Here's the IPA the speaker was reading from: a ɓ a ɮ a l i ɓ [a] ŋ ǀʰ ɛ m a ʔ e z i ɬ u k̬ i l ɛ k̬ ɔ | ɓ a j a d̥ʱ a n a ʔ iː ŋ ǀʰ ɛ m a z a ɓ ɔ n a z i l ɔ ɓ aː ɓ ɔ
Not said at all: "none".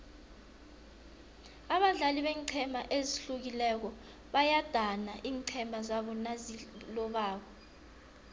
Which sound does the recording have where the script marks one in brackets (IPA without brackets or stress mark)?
ɛ